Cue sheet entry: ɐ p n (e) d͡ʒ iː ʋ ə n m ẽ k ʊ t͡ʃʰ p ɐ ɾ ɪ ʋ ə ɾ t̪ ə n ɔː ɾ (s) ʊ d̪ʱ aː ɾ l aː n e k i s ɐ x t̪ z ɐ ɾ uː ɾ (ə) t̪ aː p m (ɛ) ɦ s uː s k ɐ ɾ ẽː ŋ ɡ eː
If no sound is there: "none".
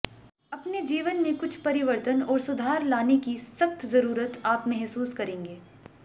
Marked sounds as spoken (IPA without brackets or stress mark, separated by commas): e, s, ə, ɛ